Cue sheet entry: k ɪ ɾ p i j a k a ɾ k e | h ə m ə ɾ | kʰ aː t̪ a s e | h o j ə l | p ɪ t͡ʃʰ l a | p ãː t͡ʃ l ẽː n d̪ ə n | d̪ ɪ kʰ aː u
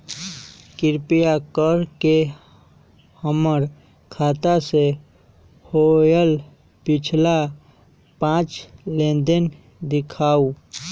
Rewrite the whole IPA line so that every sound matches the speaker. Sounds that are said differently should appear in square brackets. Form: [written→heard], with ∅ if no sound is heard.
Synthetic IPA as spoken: k ɪ ɾ p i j a k [a→ə] ɾ k e | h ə m ə ɾ | kʰ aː t̪ a s e | h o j ə l | p ɪ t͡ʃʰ l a | p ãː t͡ʃ l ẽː n d̪ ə n | d̪ ɪ kʰ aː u